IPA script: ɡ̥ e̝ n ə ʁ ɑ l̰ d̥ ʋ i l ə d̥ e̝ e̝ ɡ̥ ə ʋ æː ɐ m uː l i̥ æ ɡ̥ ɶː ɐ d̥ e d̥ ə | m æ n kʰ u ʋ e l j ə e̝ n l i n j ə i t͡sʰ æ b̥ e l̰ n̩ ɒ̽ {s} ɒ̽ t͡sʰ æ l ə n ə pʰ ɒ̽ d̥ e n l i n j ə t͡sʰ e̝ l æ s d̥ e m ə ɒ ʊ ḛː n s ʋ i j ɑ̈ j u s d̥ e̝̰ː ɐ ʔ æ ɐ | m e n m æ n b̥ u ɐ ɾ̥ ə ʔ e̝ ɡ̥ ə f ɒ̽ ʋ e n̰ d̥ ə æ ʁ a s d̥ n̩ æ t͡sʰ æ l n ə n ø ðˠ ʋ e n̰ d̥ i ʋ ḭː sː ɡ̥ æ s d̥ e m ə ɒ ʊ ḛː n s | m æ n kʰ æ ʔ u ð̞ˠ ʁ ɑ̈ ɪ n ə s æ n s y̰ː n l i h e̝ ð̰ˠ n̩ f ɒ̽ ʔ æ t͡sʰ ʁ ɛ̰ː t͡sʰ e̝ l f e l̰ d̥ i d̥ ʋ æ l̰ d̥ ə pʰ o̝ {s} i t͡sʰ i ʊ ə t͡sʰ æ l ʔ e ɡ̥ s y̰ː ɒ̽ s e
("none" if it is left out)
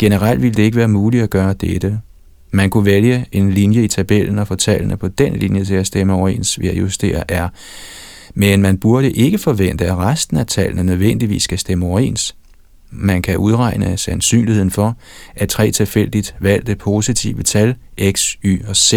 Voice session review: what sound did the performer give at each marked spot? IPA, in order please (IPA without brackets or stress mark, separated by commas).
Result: f, s